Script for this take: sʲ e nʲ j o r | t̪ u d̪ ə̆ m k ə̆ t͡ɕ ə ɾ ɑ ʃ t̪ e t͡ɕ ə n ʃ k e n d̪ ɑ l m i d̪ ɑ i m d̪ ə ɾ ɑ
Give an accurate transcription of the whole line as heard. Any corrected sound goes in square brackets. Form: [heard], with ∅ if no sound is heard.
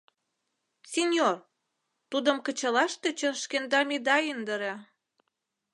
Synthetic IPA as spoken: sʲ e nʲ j o r | t̪ u d̪ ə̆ m k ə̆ t͡ɕ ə [l] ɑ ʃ t̪ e t͡ɕ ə n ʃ k e n d̪ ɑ [∅] m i d̪ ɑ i [n] d̪ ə ɾ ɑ